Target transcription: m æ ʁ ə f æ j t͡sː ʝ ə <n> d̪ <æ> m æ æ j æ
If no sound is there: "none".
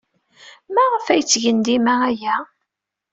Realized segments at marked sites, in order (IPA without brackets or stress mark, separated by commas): n, i